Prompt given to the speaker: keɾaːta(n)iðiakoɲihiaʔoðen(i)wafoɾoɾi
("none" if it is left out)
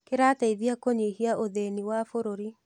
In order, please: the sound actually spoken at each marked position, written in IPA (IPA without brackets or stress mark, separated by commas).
none, i